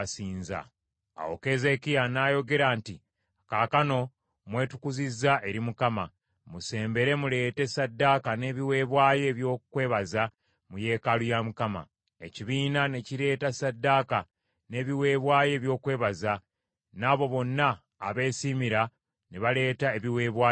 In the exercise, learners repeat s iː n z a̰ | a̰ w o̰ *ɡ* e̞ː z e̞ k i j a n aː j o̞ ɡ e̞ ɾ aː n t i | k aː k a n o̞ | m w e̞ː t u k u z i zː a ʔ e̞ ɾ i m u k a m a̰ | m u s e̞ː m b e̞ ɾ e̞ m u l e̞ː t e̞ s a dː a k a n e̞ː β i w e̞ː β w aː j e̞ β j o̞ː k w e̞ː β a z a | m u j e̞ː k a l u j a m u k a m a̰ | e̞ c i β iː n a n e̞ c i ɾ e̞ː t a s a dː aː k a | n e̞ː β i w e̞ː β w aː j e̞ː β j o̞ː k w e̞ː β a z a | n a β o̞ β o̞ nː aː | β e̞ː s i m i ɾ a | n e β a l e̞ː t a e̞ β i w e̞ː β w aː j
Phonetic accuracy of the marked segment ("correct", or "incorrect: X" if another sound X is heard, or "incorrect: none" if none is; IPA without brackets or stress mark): incorrect: k